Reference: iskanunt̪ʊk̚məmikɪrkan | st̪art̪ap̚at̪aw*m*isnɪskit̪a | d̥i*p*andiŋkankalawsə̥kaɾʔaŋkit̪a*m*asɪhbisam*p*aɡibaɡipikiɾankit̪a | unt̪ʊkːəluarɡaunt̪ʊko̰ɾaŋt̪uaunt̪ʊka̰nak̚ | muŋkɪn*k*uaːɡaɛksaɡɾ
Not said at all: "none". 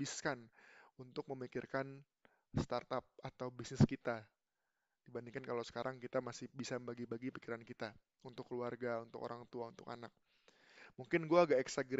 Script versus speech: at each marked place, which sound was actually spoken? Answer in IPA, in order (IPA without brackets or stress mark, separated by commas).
b, b, m, b, ɡ